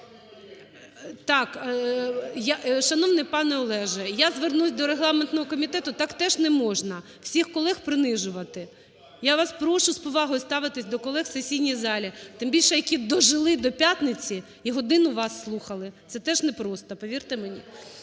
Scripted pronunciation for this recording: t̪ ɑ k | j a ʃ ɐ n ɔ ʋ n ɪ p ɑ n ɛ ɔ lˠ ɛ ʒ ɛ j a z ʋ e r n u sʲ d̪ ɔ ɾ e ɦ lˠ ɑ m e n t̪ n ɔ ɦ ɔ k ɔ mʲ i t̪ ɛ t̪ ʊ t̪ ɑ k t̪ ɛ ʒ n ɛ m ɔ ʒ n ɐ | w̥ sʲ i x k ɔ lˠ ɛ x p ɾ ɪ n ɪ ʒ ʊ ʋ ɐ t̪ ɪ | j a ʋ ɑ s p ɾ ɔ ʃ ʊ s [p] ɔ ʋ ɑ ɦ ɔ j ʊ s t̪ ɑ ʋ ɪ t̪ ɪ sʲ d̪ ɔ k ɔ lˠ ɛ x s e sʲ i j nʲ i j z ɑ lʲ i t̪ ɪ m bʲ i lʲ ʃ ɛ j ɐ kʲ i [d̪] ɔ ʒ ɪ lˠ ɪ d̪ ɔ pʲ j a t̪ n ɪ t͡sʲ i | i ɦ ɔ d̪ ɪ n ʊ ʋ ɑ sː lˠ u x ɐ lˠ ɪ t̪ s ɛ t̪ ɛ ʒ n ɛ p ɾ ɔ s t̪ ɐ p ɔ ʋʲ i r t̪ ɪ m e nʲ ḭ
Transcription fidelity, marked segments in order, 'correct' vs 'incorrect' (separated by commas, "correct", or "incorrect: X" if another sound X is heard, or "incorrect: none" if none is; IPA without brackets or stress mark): correct, correct